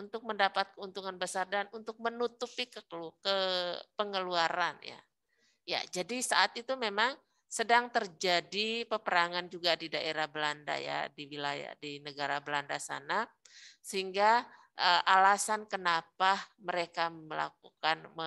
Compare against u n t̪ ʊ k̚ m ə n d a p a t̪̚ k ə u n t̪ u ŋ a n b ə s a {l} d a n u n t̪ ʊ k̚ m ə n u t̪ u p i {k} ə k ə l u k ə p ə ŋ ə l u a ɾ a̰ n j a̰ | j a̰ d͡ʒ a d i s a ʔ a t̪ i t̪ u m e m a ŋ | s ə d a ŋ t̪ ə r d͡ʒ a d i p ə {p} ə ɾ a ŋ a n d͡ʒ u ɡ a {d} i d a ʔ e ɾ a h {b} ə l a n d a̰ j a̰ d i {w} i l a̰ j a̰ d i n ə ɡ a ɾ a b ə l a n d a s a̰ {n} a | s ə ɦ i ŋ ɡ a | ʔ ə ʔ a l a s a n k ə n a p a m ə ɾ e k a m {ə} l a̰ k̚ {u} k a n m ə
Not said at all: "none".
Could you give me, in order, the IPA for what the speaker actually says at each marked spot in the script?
r, k, p, d, b, w, n, ə, u

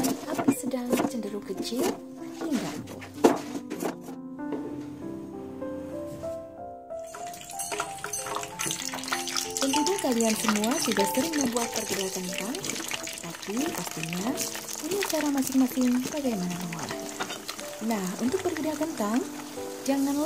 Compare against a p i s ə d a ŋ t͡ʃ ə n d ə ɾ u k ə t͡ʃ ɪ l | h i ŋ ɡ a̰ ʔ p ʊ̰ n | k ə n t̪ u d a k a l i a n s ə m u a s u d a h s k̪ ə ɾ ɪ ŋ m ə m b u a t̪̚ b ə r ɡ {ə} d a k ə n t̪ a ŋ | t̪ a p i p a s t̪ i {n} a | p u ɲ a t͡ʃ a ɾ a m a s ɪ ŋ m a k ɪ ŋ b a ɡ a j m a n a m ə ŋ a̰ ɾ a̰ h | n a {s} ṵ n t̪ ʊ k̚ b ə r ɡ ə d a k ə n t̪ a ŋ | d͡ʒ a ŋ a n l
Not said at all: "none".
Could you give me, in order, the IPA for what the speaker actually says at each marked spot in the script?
ə, ɲ, h

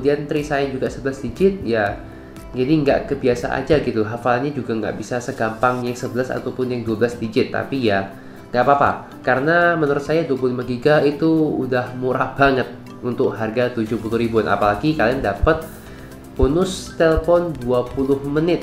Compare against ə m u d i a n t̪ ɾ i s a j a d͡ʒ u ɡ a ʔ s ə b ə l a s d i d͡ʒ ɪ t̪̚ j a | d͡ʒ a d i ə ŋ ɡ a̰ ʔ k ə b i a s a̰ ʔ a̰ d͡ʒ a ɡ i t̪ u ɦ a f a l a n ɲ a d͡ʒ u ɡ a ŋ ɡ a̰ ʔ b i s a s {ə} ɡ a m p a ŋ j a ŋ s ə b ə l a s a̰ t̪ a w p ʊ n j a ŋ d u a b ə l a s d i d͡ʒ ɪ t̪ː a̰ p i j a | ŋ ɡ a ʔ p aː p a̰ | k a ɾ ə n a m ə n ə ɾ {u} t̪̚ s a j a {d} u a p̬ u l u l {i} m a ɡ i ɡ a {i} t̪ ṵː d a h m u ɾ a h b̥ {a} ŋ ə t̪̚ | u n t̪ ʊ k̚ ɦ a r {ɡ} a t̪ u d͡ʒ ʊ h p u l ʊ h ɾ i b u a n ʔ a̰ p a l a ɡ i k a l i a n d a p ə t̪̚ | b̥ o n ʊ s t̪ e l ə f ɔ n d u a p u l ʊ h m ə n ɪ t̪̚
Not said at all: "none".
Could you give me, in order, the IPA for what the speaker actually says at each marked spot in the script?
ə, ʊ, d, i, i, a, ɡ

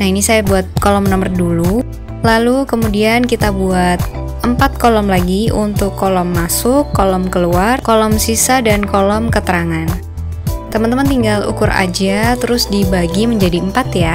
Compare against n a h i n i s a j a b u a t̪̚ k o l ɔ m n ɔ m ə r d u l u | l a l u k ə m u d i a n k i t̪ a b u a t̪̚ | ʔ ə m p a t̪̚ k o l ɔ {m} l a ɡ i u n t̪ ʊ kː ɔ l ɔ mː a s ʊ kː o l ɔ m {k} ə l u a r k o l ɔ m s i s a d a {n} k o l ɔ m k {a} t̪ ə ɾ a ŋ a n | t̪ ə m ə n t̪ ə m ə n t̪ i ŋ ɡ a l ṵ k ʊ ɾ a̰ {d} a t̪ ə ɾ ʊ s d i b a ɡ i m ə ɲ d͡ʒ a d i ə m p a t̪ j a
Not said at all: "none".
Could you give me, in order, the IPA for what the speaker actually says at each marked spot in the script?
m, k, n, ə, d͡ʒ

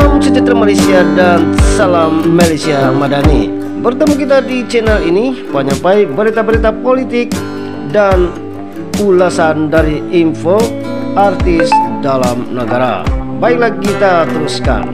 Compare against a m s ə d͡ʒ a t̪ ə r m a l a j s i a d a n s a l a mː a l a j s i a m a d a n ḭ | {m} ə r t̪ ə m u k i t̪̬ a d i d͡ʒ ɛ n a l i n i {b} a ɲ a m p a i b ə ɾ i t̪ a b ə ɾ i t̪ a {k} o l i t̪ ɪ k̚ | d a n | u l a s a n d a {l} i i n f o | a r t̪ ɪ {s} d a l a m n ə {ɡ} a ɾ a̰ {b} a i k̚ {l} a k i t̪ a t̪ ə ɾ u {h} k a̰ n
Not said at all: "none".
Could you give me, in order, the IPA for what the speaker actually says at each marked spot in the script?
b, p, p, ɾ, s, ɡ, b, l, s

